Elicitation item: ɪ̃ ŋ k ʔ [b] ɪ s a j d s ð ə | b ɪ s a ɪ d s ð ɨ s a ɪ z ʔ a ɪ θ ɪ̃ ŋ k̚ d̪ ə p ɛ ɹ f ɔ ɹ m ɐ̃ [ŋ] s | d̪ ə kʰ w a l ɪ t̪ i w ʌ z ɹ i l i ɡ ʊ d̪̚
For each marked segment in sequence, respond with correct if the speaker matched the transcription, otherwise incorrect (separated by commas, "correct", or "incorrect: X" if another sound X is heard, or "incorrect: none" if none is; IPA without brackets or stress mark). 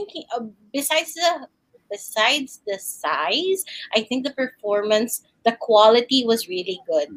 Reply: correct, incorrect: n